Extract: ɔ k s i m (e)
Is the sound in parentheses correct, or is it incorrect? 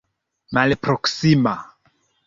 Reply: incorrect